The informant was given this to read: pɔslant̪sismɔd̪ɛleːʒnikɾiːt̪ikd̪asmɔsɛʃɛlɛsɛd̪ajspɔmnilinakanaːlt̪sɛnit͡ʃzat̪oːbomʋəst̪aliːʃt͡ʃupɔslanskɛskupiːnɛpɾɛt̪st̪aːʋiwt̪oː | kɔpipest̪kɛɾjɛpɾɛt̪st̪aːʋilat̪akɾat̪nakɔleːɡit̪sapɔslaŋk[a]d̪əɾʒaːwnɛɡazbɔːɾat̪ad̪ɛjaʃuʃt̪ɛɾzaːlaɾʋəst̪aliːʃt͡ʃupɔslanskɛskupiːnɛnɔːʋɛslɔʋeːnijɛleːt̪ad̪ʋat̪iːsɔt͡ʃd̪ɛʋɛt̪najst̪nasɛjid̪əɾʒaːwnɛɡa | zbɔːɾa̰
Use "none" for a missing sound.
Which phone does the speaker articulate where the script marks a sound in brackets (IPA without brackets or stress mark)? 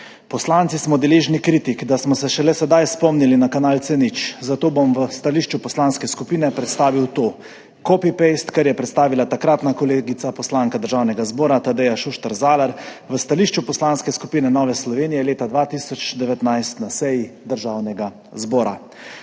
a